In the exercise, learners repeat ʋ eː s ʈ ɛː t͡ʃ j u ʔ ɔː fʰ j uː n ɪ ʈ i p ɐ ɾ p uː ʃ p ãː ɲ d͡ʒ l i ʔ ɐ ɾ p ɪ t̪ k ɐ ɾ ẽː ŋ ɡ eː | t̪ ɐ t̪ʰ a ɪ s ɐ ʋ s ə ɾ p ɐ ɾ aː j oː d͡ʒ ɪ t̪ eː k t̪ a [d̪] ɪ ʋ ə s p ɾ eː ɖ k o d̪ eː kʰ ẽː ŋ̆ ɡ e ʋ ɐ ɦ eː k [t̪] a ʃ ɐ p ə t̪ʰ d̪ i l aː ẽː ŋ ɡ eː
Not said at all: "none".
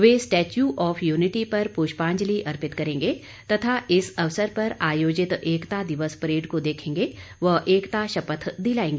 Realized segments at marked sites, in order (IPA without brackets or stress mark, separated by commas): d̪, t̪